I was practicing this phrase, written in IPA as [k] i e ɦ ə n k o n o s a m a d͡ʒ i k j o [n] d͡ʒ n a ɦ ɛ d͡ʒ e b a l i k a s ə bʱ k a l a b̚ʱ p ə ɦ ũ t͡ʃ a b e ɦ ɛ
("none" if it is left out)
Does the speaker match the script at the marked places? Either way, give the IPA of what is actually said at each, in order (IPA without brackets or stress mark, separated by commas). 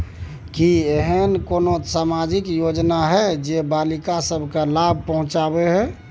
k, none